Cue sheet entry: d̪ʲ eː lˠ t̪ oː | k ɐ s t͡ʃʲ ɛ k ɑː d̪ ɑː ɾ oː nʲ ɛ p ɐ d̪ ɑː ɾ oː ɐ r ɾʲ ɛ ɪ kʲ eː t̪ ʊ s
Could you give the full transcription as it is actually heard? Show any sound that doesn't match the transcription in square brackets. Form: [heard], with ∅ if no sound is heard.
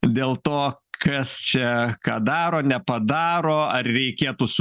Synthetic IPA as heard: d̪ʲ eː lˠ t̪ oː | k ɐ s t͡ʃʲ ɛ k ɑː d̪ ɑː ɾ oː nʲ ɛ p ɐ d̪ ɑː ɾ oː ɐ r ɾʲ ɛ ɪ kʲ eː t̪ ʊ s